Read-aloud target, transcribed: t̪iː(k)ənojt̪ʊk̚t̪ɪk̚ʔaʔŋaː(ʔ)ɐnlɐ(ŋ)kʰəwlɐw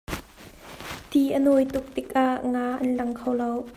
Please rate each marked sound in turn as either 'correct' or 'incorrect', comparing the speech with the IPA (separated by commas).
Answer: incorrect, correct, correct